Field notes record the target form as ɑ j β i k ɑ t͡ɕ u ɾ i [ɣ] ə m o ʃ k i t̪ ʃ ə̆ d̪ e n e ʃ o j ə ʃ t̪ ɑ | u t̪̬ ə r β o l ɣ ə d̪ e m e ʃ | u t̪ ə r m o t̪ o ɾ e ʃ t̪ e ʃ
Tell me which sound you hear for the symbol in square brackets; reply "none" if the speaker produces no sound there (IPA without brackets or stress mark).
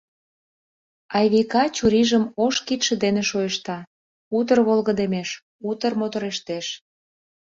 ʒ